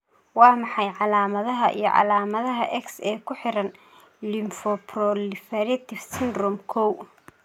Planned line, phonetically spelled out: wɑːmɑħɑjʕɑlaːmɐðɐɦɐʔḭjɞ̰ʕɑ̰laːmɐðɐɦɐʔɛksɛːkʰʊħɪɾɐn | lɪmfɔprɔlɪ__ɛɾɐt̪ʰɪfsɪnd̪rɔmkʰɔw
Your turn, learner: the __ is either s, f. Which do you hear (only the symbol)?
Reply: f